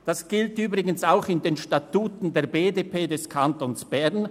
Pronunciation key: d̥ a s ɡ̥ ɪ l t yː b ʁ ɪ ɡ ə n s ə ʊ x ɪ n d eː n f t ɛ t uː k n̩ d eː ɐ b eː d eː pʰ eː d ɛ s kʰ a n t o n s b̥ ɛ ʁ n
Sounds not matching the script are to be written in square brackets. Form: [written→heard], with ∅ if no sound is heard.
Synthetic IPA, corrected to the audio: d̥ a s ɡ̥ ɪ l t yː b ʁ ɪ ɡ ə n s [ə→a] ʊ x ɪ n d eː n [f→ʃ] t [ɛ→a] t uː [k→t] n̩ d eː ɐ b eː d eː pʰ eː d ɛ s kʰ a n t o n s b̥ ɛ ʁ n